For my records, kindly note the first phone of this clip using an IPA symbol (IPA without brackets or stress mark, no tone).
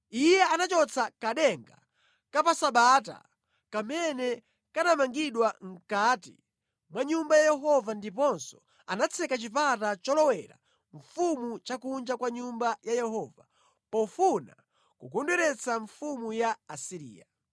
i